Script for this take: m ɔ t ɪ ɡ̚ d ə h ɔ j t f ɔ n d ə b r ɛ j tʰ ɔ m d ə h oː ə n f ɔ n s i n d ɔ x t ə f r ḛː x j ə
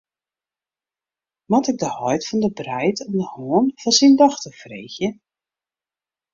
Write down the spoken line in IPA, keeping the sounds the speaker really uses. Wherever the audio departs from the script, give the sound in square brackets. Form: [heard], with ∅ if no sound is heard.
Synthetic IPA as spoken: m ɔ t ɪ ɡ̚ d ə h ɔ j t f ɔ n d ə b r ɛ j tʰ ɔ m d ə h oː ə n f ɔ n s i n d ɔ x t ə f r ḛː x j ə